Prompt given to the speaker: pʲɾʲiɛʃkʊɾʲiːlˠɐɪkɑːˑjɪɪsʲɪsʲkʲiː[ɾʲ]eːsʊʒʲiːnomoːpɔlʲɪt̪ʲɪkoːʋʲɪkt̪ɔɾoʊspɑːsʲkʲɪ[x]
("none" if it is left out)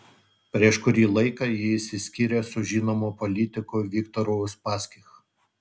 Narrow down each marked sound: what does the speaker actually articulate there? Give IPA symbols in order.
ɾʲ, x

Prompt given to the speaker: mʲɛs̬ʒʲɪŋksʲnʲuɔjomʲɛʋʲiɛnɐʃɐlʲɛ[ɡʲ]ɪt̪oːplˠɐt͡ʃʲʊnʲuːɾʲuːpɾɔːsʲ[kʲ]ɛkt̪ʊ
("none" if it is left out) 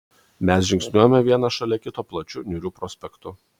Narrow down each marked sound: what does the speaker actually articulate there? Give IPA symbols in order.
kʲ, pʲ

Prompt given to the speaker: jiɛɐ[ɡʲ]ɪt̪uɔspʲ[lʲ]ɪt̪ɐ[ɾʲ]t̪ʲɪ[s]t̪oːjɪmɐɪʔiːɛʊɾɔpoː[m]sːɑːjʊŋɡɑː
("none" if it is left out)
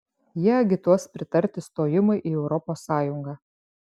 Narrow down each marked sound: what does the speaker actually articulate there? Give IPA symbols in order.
ɡʲ, ɾʲ, ɾʲ, s, none

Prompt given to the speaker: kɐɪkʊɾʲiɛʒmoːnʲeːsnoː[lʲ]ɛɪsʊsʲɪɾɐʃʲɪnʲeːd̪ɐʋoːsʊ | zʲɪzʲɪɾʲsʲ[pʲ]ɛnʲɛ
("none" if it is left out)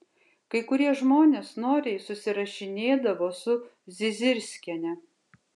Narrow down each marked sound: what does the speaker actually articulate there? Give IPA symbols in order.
ɾʲ, kʲ

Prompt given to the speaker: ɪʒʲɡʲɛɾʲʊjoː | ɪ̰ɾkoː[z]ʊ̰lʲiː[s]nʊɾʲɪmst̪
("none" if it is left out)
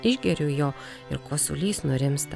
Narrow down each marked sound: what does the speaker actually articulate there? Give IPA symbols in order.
s, s

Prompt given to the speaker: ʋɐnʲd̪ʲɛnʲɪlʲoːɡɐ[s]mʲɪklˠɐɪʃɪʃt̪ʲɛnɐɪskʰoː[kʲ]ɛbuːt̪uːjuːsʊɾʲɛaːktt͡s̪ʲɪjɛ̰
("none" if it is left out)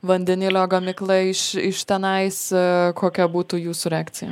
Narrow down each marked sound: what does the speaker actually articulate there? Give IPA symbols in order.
none, kʲ

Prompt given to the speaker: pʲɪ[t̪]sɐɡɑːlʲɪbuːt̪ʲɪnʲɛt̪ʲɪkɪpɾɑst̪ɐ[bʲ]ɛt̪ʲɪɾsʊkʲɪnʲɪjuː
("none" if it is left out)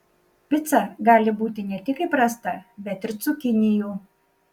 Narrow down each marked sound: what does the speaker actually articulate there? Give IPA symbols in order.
t̪, bʲ

